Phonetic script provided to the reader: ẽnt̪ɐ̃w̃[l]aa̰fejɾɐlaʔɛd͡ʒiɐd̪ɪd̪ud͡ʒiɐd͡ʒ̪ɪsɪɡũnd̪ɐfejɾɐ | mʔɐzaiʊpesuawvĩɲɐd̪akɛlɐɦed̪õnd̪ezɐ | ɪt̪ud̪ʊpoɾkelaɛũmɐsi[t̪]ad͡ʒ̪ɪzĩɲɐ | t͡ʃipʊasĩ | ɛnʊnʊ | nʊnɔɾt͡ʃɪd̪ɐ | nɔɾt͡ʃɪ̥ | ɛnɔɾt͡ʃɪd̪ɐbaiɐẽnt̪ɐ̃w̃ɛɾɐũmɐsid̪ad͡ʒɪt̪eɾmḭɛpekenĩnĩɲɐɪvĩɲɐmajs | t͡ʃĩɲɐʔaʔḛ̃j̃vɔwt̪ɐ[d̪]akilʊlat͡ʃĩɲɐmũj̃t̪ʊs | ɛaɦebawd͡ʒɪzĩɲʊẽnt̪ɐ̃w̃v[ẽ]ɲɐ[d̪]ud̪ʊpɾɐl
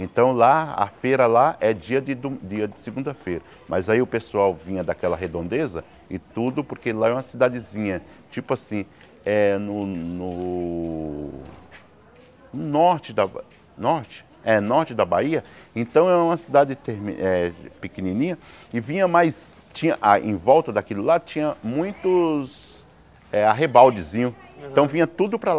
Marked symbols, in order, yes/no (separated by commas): yes, no, yes, no, no